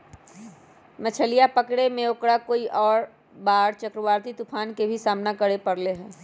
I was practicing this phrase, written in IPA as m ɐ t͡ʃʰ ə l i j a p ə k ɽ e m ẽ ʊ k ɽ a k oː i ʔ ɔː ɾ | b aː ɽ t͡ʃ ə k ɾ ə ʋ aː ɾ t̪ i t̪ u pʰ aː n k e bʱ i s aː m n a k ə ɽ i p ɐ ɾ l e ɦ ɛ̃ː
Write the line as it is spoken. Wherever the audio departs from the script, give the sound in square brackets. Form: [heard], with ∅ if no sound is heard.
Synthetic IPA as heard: m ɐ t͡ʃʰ ə l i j a p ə k ɽ e m ẽ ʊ k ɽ a k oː i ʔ ɔː ɾ | b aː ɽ t͡ʃ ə k ɾ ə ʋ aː ɾ t̪ i t̪ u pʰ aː n k e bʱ i s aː m n a k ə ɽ [e] p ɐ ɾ l e ɦ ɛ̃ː

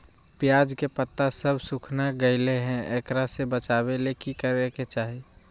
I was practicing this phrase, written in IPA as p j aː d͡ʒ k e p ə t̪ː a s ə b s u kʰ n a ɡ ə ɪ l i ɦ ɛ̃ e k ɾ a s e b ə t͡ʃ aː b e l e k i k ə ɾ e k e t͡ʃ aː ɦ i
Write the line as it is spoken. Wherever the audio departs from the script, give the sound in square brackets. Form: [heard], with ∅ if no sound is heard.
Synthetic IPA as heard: p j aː d͡ʒ k e p ə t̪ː a s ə b s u kʰ n a ɡ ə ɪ l [e] ɦ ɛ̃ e k ɾ a s e b ə t͡ʃ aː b e l e k i k ə ɾ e k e t͡ʃ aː ɦ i

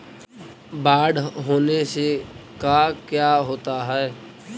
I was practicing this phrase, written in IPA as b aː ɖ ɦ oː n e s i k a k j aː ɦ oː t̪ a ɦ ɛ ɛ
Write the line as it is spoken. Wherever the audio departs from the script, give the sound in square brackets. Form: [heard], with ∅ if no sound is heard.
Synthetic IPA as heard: b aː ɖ ɦ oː n e s [e] k a k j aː ɦ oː t̪ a ɦ ɛ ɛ

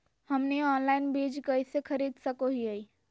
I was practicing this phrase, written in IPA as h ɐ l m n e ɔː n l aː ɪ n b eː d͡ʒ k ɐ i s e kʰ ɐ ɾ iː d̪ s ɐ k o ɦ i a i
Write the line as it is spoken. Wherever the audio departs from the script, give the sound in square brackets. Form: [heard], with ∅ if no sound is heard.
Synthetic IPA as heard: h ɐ [∅] m n e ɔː n l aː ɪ n b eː d͡ʒ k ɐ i s e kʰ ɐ ɾ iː d̪ s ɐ k o ɦ i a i

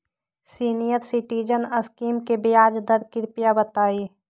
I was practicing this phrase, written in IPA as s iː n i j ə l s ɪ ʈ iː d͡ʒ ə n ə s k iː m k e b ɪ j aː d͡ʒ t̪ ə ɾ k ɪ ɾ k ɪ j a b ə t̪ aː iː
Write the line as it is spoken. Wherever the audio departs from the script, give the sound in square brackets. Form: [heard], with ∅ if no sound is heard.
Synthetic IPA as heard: s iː n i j ə [ɾ] s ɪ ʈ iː d͡ʒ ə n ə s k iː m k e b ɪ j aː d͡ʒ [d̪] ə ɾ k ɪ ɾ [p] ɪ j a b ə t̪ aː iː

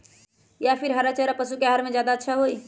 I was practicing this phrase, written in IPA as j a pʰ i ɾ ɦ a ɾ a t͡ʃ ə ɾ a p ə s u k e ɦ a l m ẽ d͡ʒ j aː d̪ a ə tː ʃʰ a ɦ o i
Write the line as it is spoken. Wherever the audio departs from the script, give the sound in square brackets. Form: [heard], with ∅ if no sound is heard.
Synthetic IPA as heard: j a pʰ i ɾ ɦ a ɾ a t͡ʃ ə ɾ a p ə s u k e ɦ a [ɾ] m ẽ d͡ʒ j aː d̪ a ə tː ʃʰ a ɦ o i

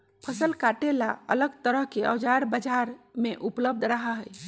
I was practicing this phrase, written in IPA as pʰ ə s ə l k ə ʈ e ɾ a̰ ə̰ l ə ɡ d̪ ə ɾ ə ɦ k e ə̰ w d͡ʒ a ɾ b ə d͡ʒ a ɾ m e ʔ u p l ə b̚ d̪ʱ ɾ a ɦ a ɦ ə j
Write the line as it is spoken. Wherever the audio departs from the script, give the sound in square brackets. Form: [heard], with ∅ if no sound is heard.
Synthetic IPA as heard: pʰ ə s ə l k [a] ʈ e [l] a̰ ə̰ l ə ɡ [t̪] ə ɾ ə ɦ k e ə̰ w d͡ʒ a ɾ b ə d͡ʒ a ɾ m e ʔ u p l ə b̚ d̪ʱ ɾ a ɦ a ɦ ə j

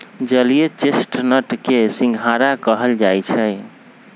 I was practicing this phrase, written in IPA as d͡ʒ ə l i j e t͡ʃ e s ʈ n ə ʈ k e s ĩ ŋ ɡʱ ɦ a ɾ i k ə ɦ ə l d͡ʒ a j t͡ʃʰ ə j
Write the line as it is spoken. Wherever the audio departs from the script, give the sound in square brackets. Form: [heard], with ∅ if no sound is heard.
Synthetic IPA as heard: d͡ʒ ə l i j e t͡ʃ e s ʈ n ə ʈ k e s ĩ ŋ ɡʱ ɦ a ɾ [a] k ə ɦ ə l d͡ʒ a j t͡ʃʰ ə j

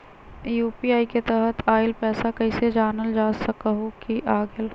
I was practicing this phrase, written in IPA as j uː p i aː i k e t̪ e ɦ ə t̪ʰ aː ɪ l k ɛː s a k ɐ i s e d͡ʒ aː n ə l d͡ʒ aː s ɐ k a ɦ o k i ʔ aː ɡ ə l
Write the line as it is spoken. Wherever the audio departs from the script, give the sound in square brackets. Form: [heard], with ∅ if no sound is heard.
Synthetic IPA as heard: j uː p i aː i k e t̪ [ɛ] ɦ ə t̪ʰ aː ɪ l [p] ɛː s a k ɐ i s e d͡ʒ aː n ə l d͡ʒ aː s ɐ k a ɦ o k i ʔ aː ɡ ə l

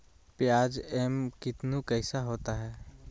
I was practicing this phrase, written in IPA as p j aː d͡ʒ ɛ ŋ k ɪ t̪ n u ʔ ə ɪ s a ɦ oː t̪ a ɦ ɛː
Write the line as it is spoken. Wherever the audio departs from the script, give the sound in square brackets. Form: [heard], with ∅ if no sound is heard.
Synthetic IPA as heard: p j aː d͡ʒ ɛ [m] k ɪ t̪ n u [k] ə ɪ s a ɦ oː t̪ a ɦ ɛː

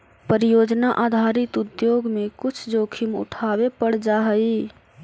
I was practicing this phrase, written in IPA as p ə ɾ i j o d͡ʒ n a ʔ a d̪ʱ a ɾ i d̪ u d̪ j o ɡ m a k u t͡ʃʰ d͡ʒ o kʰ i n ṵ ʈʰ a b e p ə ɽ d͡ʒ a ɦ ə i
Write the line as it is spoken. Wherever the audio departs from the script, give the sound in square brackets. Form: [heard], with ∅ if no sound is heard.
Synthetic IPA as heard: p ə ɾ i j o d͡ʒ n a ʔ a d̪ʱ a ɾ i [t̪] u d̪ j o ɡ m [e] k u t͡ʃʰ d͡ʒ o kʰ i [m] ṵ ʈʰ a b e p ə ɽ d͡ʒ a ɦ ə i

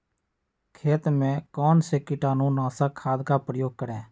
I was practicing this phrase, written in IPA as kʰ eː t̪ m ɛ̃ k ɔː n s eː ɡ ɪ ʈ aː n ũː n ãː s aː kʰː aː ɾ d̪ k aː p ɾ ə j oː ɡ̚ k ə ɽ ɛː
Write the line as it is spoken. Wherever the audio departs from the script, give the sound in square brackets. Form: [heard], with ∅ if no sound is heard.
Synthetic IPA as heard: kʰ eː t̪ m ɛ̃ k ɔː n s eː [k] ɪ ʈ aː n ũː n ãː s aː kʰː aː [∅] d̪ k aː p ɾ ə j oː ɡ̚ k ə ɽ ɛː

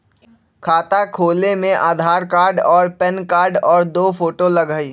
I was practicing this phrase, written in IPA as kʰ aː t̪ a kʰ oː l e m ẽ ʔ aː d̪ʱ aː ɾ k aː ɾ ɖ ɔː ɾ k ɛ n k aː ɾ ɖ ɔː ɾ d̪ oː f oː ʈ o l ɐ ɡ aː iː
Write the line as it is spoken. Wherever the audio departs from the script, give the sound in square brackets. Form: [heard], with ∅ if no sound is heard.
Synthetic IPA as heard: kʰ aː t̪ a kʰ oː l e m ẽ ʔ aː d̪ʱ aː ɾ k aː ɾ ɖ ɔː ɾ [p] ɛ n k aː ɾ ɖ ɔː ɾ d̪ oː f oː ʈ o l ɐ ɡ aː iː

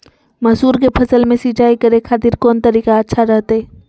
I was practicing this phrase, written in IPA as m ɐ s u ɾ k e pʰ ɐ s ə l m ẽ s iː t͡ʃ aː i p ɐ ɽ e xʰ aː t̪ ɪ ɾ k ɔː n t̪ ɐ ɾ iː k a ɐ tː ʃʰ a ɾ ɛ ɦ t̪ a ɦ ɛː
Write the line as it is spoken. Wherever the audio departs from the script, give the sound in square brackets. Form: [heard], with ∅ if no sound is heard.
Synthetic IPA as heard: m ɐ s [uː] ɾ k e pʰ ɐ s ə l m ẽ s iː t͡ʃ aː i [k] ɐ [ɾ] e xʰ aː t̪ ɪ ɾ k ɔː n t̪ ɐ ɾ iː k a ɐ tː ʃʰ a ɾ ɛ ɦ t̪ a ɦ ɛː

